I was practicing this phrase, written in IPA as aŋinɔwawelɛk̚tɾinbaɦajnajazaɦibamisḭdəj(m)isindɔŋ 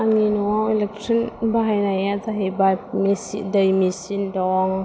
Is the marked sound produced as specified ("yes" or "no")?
yes